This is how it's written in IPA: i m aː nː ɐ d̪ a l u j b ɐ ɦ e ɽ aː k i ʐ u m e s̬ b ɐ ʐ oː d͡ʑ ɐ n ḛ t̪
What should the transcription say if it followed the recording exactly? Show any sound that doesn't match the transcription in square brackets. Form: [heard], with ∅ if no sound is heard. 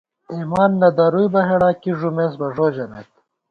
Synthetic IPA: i m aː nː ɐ d̪ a [ɾ] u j b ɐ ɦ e ɽ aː k i ʐ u m e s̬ b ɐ ʐ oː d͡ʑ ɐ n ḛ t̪